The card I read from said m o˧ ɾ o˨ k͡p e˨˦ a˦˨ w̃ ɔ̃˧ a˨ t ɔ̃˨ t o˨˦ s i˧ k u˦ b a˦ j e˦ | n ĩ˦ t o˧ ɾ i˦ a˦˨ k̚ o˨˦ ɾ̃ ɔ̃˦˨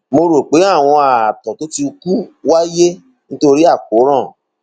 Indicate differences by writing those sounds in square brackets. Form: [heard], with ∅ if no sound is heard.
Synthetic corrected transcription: m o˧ ɾ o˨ k͡p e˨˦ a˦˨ w̃ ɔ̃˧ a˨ t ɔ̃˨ t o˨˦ [t] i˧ k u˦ [w] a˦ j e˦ | n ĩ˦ t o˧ ɾ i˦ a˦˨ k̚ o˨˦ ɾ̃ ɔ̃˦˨